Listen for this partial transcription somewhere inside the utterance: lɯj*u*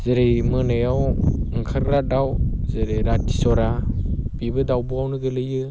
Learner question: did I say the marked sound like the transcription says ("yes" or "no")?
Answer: no